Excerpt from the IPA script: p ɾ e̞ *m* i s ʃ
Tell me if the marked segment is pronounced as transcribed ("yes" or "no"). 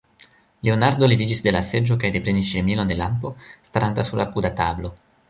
no